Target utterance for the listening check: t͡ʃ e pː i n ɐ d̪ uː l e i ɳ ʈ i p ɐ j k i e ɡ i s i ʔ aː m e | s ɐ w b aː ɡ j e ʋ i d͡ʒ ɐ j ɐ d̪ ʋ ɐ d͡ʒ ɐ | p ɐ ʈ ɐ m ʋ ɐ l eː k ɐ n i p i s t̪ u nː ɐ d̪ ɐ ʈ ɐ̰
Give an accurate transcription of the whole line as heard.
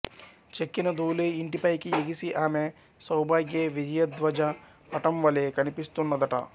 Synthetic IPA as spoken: t͡ʃ e kː i n ɐ d̪ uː l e i ɳ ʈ i p ɐ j k i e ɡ i s i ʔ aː m e | s ɐ w b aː ɡ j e ʋ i d͡ʒ ɐ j ɐ d̪ ʋ ɐ d͡ʒ ɐ | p ɐ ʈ ɐ m ʋ ɐ l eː k ɐ n i p i s t̪ u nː ɐ d̪ ɐ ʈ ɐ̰